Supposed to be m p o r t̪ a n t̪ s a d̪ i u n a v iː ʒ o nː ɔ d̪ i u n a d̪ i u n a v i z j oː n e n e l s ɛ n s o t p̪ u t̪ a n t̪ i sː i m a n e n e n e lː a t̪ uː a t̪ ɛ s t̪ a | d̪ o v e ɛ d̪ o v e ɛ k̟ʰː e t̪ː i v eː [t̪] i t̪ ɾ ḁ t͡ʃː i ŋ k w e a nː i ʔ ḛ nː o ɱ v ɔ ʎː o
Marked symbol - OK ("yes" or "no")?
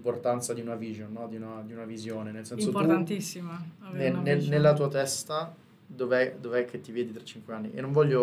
no